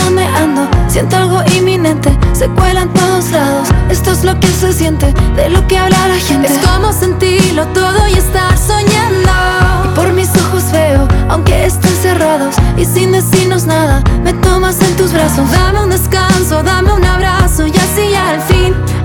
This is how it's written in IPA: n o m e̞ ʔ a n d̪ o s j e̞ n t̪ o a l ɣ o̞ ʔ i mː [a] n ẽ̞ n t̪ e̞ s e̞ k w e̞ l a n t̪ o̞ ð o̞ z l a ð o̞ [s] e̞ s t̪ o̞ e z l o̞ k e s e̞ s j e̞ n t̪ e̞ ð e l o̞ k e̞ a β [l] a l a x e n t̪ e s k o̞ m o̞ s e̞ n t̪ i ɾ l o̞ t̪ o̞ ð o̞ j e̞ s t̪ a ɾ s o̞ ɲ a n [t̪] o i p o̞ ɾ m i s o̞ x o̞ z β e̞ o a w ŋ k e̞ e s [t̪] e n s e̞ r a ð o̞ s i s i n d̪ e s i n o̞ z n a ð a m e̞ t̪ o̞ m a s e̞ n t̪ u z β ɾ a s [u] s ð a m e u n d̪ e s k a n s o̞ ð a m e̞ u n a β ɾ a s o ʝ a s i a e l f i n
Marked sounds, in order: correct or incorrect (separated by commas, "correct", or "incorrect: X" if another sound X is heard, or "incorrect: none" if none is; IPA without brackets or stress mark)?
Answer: incorrect: i, correct, correct, incorrect: d̪, correct, incorrect: o